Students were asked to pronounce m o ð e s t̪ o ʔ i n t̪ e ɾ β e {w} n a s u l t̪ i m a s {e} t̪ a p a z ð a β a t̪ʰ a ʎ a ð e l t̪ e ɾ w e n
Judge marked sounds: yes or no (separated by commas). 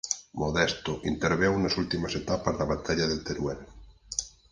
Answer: yes, yes